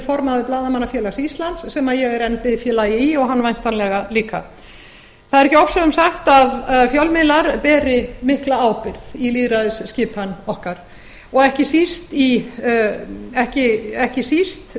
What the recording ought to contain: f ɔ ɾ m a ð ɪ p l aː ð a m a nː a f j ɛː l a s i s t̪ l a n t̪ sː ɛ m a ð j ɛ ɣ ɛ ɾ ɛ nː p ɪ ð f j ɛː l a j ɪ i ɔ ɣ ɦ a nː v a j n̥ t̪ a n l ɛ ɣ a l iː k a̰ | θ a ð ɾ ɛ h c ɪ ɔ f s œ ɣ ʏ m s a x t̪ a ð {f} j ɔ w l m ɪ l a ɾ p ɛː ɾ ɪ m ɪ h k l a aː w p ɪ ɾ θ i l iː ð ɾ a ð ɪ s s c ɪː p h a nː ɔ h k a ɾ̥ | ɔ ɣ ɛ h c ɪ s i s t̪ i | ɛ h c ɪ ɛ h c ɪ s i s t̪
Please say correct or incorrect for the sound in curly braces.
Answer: correct